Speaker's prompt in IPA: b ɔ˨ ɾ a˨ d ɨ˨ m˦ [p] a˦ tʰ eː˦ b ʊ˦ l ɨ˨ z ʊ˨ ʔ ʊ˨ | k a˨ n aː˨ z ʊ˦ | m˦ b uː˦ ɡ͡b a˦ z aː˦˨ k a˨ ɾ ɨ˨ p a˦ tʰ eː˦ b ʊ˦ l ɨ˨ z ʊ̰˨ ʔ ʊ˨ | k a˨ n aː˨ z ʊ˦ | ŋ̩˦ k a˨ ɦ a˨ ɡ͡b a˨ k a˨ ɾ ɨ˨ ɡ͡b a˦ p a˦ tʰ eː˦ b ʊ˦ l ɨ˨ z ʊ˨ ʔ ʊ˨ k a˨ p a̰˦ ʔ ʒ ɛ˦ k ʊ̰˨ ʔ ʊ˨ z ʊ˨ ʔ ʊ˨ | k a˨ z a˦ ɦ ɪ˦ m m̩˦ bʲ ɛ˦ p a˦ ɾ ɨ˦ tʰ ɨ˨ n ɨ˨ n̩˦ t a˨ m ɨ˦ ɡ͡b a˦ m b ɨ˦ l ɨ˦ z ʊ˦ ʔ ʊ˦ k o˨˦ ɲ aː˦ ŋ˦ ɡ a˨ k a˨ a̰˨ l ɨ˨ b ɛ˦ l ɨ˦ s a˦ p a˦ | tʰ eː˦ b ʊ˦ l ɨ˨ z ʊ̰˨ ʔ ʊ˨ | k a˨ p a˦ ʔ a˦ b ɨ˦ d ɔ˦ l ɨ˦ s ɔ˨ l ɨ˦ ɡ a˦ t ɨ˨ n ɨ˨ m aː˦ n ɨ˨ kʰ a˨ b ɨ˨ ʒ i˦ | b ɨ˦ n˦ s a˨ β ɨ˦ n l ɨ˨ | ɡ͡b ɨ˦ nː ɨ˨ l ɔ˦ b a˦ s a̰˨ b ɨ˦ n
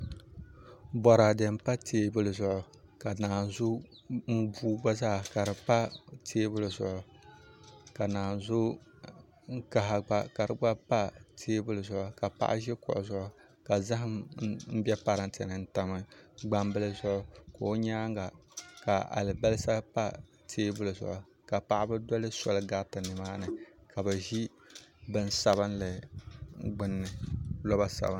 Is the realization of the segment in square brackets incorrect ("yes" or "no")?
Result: no